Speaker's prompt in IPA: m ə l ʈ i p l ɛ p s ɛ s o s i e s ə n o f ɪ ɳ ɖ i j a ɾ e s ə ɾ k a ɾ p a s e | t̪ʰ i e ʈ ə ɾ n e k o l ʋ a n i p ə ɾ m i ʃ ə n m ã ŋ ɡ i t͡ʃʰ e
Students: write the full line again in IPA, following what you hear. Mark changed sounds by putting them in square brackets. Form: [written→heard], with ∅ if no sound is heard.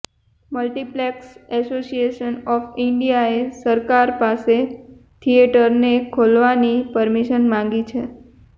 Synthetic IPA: m ə l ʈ i p l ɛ [p→k] s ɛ s o s i e [s→ʃ] ə n [o→ɔ] f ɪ ɳ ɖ i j a [ɾ→∅] e s ə ɾ k a ɾ p a s e | t̪ʰ i e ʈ ə ɾ n e [k→kʰ] o l ʋ a n i p ə ɾ m i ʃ ə n m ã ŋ ɡ i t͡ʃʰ e

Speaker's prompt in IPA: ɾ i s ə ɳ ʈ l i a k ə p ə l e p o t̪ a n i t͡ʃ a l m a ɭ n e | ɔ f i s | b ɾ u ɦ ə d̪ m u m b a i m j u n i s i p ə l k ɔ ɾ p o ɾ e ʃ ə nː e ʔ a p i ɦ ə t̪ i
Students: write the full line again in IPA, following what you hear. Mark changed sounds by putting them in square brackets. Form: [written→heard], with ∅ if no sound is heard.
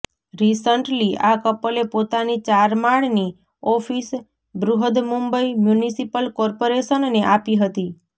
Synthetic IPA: ɾ i s ə ɳ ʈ l i a k ə p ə l e p o t̪ a n i t͡ʃ a [l→ɾ] m a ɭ n [e→i] | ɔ f i s | b ɾ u ɦ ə d̪ m u m b [a→ə] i m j u n i s i p ə l k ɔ ɾ p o ɾ e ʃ ə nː e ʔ a p i ɦ ə t̪ i

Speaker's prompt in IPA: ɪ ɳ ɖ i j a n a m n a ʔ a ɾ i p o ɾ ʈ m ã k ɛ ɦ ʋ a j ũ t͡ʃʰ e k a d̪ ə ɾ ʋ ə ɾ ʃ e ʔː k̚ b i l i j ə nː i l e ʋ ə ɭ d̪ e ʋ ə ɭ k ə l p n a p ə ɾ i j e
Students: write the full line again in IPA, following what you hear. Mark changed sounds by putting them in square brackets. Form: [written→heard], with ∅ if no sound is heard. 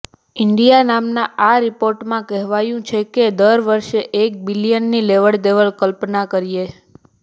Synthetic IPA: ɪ ɳ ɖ i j a n a m n a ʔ a ɾ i p o ɾ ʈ m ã k ɛ ɦ ʋ a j ũ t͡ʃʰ e k [a→e] d̪ ə ɾ ʋ ə ɾ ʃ e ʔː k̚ b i l i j ə nː i l e ʋ ə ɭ d̪ e ʋ ə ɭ k ə l p n a [p→k] ə ɾ i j e

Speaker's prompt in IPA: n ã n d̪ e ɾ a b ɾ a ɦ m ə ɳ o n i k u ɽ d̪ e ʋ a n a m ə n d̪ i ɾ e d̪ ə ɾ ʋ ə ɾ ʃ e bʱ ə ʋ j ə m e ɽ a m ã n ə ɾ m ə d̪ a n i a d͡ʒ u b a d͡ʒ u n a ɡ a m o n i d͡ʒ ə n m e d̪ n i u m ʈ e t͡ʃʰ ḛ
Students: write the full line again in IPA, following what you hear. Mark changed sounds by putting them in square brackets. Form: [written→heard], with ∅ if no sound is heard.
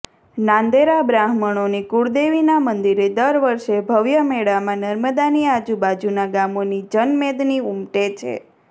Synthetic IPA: n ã n d̪ e ɾ a b ɾ a ɦ m ə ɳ o n i k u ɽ d̪ e ʋ [a→i] n a m ə n d̪ i ɾ e d̪ ə ɾ ʋ ə ɾ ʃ e bʱ ə ʋ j ə m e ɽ a m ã n ə ɾ m ə d̪ a n i a d͡ʒ u b a d͡ʒ u n a ɡ a m o n i d͡ʒ ə n m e d̪ n i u m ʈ e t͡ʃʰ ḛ

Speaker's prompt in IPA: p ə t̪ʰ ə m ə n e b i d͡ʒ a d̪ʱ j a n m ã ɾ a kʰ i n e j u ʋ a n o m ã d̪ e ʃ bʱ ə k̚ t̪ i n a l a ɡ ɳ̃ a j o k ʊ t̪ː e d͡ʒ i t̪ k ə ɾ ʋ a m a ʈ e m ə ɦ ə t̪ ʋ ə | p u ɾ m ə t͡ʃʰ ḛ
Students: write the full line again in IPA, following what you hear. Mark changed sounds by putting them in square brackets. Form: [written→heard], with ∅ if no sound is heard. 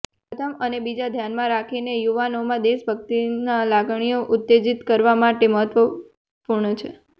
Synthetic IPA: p ə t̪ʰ ə m ə n e b i d͡ʒ a d̪ʱ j a n m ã ɾ a kʰ i n e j u ʋ a n o m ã d̪ e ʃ bʱ ə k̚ t̪ i n a l a ɡ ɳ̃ [a→i] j o [k→ʔ] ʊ t̪ː e d͡ʒ i t̪ k ə ɾ ʋ a m a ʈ e m ə ɦ ə t̪ ʋ ə | p u ɾ [m→ɳ] ə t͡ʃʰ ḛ

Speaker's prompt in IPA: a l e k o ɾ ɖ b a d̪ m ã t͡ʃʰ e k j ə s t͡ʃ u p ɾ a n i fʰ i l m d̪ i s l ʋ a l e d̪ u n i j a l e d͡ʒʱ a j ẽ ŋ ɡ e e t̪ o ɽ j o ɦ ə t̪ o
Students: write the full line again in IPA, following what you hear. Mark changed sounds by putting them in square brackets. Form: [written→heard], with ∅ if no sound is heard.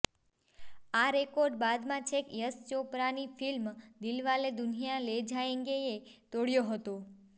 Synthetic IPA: a [l→ɾ] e k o ɾ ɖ b a d̪ m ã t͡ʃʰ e k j ə s t͡ʃ [u→o] p ɾ a n i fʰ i l m d̪ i [s→∅] l ʋ a l e d̪ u n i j a l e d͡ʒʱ a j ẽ ŋ ɡ e e t̪ o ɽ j o ɦ ə t̪ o

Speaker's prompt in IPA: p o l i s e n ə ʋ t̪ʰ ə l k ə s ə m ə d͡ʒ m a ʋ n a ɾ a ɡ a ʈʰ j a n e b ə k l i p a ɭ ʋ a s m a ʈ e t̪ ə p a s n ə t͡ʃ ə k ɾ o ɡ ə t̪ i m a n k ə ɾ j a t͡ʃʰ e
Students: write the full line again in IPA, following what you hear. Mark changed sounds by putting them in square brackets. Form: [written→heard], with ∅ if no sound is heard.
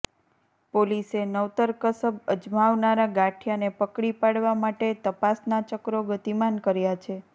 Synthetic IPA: p o l i s e n ə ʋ [t̪ʰ→t̪] ə [l→ɾ] k ə s ə [m→b] ə d͡ʒ m a ʋ n a ɾ a ɡ a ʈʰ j a n e [b→p] ə k [l→ɽ] i p a [ɭ→ɽ] ʋ a [s→∅] m a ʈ e t̪ ə p a s n [ə→a] t͡ʃ ə k ɾ o ɡ ə t̪ i m a n k ə ɾ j a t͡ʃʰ e

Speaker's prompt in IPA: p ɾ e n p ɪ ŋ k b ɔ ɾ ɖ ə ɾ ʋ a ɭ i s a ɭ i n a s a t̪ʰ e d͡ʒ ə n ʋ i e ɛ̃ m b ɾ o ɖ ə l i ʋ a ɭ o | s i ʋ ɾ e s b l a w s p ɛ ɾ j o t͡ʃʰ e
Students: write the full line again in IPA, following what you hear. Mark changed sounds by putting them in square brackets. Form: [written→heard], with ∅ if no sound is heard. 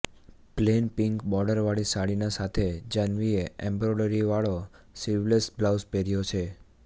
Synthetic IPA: p [ɾ→l] e n p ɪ ŋ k b ɔ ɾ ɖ ə ɾ ʋ a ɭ i s a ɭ i n a s a t̪ʰ e d͡ʒ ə n ʋ i e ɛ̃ m b ɾ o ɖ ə [l→ɾ] i ʋ a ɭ o | s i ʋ [ɾ→l] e s b l a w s p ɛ ɾ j o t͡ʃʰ e

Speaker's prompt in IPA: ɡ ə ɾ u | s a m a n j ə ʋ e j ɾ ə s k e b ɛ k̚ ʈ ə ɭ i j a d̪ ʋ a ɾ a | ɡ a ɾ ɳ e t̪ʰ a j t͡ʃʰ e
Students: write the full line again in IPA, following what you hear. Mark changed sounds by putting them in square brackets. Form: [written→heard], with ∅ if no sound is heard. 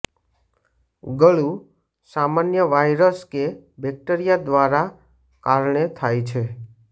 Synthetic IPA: ɡ ə [ɾ→ɭ] u | s a m a n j ə ʋ [e→a] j ɾ ə s k e b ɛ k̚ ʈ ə [ɭ→ɾ] i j a d̪ ʋ a ɾ a | [ɡ→k] a ɾ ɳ e t̪ʰ a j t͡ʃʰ e

